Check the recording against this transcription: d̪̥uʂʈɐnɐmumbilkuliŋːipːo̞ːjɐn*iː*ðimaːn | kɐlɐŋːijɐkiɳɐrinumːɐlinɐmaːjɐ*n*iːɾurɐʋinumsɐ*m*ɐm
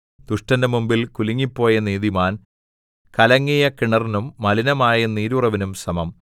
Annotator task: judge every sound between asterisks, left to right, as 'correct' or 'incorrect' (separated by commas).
correct, correct, correct